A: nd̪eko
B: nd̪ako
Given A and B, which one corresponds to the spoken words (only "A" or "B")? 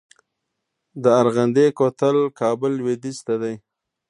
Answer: A